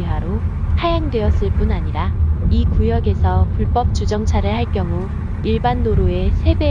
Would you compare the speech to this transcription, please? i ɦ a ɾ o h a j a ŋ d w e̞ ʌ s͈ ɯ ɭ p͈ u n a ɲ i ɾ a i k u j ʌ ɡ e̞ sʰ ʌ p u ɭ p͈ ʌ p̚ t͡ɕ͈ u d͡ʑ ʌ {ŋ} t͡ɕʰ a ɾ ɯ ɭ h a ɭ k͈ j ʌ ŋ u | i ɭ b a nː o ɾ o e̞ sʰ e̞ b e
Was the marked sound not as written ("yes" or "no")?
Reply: no